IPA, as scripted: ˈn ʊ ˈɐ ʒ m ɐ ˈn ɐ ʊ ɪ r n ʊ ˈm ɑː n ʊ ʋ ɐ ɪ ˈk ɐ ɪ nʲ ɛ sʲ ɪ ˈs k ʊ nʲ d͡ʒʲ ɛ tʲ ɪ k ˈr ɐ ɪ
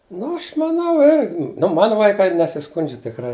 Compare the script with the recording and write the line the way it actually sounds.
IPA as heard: ˈn ʊ ˈɐ ʃ m ɐ ˈn ɐ ʊ ɪ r n ʊ ˈm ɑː n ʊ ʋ ɐ ɪ ˈk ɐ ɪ nʲ ɛ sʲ ɪ ˈs k ʊ nʲ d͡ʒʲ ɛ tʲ ɪ k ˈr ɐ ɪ